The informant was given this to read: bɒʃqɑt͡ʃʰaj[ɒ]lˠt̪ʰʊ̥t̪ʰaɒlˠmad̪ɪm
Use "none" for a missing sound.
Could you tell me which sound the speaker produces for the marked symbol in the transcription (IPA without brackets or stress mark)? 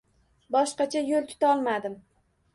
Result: o